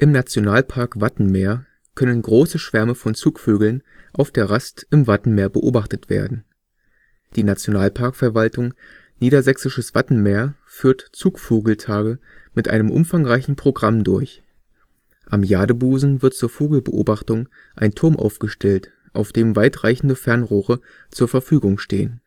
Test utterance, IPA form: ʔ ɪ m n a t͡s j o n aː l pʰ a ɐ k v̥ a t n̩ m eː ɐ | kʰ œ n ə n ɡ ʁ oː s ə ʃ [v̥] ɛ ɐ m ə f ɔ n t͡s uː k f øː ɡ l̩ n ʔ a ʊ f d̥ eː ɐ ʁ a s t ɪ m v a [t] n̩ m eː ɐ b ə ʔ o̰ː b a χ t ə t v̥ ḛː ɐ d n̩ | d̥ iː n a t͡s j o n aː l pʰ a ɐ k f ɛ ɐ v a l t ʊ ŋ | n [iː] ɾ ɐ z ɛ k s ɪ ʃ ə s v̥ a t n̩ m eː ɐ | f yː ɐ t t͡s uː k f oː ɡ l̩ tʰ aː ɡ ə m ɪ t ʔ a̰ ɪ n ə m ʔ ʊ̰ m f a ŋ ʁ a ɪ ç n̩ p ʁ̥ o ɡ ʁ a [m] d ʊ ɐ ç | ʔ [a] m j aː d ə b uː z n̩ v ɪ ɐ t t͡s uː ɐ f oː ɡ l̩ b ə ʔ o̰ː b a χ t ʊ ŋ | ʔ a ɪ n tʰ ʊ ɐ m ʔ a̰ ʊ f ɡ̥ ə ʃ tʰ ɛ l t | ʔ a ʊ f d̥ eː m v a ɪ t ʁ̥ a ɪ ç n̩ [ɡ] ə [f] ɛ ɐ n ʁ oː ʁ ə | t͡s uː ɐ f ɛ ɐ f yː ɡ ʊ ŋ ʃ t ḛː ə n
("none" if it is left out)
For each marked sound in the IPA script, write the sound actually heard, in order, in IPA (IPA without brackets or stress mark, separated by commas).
v̥, t, iː, m, a, d, f